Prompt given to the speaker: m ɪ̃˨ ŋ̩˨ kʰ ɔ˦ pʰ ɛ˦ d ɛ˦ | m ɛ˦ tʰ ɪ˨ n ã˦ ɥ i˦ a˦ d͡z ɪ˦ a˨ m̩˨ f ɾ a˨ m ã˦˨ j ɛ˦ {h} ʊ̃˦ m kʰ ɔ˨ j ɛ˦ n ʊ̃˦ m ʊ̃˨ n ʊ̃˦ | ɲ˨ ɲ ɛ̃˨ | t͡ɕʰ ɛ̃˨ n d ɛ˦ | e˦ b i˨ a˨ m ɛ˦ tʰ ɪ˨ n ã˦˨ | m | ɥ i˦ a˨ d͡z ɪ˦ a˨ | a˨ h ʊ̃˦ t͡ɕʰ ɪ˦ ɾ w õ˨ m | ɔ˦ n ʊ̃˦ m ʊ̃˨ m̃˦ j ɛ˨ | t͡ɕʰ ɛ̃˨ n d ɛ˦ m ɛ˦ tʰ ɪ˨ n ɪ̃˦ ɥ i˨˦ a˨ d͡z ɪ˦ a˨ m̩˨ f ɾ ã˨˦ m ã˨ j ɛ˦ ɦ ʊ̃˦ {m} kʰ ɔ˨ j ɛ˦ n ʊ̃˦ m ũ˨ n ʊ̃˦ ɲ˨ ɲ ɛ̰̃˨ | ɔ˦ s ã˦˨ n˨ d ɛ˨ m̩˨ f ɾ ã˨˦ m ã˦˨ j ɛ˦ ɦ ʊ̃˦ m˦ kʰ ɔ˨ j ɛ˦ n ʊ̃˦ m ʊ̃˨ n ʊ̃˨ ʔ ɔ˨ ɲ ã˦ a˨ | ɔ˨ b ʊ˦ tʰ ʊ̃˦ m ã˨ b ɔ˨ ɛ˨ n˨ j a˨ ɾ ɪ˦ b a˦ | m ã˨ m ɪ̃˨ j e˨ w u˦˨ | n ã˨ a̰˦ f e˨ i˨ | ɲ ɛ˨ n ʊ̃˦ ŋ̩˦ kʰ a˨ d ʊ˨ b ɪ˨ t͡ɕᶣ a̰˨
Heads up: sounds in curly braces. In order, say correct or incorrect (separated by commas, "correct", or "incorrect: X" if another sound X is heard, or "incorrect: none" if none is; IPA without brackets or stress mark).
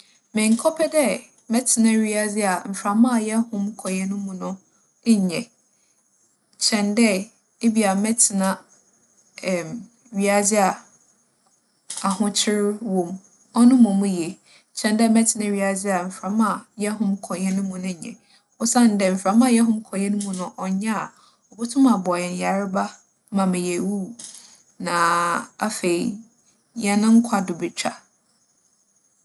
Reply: correct, correct